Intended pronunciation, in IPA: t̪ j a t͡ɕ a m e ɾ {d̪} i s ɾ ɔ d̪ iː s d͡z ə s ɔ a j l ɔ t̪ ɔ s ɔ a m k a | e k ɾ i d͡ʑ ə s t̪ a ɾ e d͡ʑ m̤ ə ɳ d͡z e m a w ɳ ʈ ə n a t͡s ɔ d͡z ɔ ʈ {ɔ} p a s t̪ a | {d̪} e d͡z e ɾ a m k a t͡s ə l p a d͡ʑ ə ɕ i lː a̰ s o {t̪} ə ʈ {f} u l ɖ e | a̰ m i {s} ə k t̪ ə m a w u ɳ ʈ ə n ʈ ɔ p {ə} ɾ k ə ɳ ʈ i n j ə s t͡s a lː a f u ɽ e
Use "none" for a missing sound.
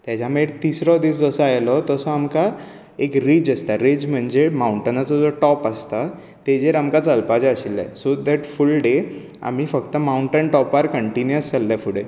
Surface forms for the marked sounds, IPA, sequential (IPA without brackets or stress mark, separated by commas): t̪, ɔ, t̪, d̪, f, f, a